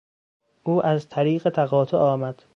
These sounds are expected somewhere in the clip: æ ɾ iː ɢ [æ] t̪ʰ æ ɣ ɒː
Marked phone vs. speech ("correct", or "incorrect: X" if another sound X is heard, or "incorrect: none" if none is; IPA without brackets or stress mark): incorrect: e